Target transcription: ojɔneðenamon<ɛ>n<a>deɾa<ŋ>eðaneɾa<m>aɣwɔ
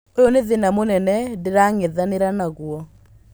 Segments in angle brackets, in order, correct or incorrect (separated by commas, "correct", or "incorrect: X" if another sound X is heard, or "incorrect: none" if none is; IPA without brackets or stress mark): correct, incorrect: ɛ, correct, incorrect: n